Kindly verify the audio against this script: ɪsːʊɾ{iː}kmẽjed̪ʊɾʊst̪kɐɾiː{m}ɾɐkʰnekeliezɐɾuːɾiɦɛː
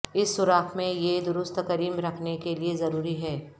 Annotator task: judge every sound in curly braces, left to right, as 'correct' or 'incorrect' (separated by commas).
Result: incorrect, correct